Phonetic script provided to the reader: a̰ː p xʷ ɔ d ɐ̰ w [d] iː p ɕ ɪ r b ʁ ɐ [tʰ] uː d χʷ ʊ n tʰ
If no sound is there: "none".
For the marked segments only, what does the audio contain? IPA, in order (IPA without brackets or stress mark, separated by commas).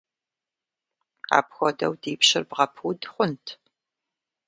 d, pʰ